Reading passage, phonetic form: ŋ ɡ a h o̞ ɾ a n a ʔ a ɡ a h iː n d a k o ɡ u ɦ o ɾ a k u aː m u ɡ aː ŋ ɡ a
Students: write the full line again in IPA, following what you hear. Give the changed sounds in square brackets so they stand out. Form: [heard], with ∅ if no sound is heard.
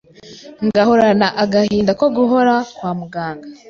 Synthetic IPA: ŋ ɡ a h o̞ ɾ a n a ʔ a ɡ a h iː n d a k o ɡ u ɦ o ɾ a k [w] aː m u ɡ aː ŋ ɡ a